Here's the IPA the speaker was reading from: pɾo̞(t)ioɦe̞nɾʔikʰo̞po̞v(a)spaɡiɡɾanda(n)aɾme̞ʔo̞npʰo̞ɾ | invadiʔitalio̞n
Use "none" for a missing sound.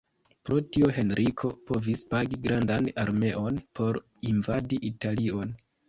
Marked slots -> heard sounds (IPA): t, i, n

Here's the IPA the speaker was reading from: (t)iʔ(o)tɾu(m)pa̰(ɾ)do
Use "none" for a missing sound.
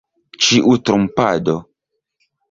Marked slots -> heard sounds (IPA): t͡ʃ, u, m, none

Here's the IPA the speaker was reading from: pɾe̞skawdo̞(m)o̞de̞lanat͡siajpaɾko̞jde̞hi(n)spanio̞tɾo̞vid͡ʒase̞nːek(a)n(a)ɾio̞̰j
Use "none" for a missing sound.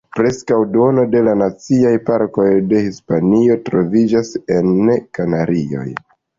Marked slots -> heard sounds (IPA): n, none, a, a

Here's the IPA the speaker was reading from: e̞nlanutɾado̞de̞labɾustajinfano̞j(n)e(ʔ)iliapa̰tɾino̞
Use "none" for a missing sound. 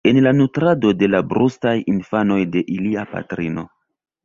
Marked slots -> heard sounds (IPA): d, ʔ

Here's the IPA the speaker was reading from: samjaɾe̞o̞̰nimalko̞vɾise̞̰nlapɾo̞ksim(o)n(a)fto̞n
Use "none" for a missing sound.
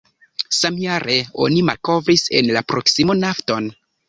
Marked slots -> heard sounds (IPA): o, a

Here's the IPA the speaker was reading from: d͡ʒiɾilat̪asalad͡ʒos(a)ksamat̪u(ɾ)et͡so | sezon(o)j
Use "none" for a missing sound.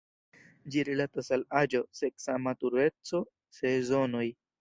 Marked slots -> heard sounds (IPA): e, ɾ, o

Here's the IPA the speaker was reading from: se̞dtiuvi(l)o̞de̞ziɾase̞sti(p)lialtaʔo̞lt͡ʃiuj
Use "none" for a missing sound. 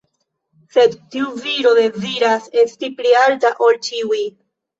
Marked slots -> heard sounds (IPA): ɾ, p

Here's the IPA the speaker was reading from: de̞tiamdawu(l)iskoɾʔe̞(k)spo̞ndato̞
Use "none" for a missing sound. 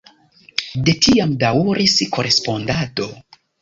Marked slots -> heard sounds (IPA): ɾ, none

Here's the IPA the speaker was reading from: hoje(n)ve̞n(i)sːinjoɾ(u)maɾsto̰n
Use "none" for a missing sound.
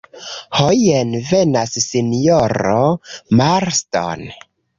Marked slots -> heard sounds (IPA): n, a, o

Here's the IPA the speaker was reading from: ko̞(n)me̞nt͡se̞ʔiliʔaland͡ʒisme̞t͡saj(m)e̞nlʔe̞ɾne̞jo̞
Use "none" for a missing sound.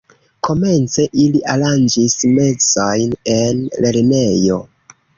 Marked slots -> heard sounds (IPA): none, n

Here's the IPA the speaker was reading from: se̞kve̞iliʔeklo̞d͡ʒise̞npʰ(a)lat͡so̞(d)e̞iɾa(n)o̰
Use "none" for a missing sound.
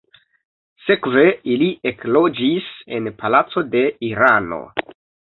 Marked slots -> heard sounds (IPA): a, d, n

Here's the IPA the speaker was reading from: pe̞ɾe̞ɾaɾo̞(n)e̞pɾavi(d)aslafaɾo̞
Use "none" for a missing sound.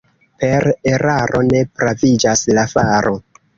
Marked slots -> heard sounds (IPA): n, d͡ʒ

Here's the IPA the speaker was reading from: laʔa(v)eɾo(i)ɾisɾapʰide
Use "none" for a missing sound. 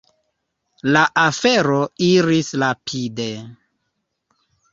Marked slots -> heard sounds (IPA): f, i

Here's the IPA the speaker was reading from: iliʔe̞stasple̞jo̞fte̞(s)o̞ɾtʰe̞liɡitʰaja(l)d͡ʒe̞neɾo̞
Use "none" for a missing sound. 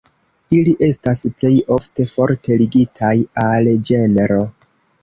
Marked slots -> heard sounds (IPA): f, l

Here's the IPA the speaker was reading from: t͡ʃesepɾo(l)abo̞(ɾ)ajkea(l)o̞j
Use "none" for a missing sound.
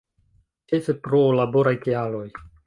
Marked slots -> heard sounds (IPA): l, ɾ, l

